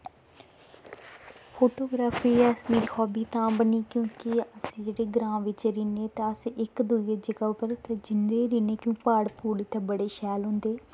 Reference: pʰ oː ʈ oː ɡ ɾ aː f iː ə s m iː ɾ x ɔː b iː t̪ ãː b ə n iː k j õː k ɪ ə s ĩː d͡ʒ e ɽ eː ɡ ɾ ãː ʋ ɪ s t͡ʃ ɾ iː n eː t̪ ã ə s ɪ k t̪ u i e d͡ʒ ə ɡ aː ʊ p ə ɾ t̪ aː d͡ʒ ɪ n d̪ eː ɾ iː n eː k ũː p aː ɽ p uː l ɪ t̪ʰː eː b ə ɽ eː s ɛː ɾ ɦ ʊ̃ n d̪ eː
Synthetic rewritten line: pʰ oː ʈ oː ɡ ɾ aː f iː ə s m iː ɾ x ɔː b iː t̪ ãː b ə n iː k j õː k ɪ ə s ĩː d͡ʒ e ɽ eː ɡ ɾ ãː ʋ ɪ t͡ʃ ɾ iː n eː t̪ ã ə s ɪ k d̪ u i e d͡ʒ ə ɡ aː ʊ p ə ɾ t̪ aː d͡ʒ ɪ n d̪ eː ɾ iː n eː k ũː p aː ɽ p uː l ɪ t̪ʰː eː b ə ɽ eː ʃ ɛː l ɦ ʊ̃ n d̪ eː